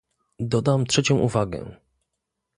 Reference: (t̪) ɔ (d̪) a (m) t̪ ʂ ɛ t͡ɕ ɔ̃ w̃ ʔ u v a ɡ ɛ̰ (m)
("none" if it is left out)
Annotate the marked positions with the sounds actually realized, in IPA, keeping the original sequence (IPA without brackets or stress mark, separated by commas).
d̪, d̪, m, none